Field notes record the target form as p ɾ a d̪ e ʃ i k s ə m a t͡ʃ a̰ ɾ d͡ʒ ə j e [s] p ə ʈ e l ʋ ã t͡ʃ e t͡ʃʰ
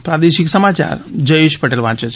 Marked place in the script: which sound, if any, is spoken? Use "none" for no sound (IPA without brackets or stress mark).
ʃ